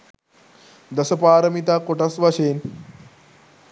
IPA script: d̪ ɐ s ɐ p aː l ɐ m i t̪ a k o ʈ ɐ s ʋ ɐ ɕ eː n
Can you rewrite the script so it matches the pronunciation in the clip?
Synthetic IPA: d̪ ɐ s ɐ p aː ɾ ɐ m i t̪ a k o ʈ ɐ s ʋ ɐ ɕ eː n